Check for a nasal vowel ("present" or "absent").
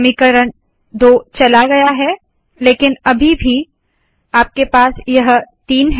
absent